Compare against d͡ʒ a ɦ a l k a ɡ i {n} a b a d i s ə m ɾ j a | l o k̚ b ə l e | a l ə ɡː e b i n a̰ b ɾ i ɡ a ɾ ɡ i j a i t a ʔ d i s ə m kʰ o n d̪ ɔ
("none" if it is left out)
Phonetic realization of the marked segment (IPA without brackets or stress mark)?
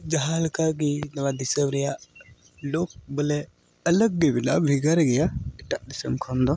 n